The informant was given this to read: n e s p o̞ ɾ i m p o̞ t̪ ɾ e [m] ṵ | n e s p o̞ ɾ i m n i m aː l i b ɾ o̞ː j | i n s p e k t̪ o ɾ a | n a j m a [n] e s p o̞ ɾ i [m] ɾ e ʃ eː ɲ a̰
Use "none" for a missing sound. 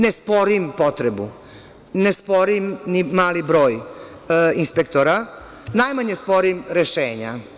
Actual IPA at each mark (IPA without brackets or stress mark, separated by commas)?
b, ɲ, m